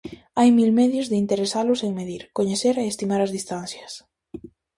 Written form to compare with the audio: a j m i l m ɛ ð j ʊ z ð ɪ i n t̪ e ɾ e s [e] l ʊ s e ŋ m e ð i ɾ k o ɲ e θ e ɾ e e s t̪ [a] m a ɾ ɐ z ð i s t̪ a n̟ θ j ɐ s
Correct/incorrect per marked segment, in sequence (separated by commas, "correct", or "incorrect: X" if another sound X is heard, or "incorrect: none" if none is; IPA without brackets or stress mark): incorrect: a, incorrect: i